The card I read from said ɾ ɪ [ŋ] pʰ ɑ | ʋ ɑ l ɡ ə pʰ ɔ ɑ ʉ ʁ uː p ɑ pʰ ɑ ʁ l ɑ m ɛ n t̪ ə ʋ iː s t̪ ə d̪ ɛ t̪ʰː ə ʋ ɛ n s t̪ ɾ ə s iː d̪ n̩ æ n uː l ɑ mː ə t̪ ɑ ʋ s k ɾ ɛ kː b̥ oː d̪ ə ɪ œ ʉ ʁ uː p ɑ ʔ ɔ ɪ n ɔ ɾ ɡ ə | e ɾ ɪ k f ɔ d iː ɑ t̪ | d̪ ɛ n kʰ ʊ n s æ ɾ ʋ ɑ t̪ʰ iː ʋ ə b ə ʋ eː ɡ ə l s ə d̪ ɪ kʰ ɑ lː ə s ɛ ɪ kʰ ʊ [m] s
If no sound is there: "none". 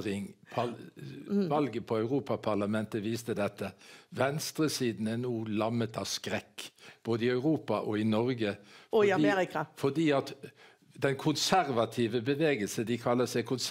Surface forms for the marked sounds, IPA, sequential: ŋ, n

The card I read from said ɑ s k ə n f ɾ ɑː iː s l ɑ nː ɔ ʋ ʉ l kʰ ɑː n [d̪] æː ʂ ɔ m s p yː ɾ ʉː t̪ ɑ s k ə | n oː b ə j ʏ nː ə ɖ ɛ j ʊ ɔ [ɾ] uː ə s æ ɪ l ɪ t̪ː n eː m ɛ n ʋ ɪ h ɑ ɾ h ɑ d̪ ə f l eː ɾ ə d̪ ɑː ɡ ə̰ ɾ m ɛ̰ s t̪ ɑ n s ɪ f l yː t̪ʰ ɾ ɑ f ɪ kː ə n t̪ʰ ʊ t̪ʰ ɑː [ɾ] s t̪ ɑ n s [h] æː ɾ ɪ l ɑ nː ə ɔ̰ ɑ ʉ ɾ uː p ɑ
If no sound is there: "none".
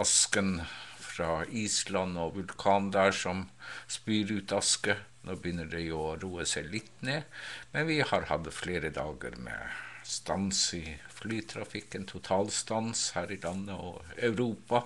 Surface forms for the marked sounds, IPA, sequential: d̪, ɾ, l, h

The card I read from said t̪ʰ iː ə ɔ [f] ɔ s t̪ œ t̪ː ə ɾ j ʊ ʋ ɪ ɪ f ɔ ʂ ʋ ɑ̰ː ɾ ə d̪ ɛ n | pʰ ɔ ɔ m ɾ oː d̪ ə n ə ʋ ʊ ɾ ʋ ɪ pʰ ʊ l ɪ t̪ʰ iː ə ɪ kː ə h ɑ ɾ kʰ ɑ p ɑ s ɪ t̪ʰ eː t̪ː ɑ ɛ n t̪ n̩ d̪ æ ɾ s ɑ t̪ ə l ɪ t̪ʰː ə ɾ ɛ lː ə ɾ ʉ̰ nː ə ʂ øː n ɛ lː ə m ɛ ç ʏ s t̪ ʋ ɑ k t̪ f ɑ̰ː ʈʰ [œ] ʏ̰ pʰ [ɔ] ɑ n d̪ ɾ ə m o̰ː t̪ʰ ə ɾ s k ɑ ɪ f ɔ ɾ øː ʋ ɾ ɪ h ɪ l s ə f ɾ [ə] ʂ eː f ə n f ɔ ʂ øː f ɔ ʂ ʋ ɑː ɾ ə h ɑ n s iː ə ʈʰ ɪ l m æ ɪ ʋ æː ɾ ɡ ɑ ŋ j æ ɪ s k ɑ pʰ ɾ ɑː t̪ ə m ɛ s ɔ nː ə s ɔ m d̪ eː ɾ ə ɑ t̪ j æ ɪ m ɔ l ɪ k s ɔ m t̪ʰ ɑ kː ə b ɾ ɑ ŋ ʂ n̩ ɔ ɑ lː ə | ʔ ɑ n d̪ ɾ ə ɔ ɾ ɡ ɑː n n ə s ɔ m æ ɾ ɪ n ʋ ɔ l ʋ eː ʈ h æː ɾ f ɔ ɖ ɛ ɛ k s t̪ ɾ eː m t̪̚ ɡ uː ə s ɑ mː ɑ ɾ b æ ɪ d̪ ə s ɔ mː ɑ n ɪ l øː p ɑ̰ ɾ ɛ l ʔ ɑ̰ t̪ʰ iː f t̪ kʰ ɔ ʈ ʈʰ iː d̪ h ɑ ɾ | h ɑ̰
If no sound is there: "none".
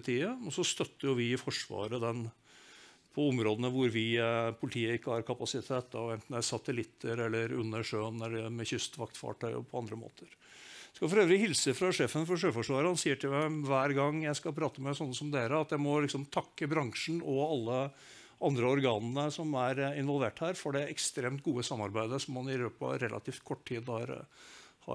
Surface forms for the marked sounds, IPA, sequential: s, œ, ɔ, ɑ

